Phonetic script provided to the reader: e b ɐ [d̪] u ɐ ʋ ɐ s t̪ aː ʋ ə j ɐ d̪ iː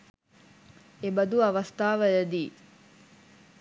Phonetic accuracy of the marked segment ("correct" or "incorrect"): correct